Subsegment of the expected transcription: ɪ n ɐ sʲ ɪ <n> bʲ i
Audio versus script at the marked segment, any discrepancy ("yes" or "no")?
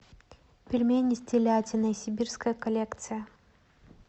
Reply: yes